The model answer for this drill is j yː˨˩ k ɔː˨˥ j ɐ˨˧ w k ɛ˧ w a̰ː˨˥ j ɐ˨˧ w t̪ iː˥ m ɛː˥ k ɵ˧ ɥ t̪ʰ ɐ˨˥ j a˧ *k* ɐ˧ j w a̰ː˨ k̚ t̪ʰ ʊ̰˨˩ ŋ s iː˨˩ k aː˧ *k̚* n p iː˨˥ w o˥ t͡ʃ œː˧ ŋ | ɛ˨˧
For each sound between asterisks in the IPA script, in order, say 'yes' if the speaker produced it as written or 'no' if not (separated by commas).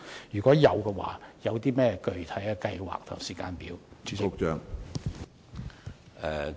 yes, no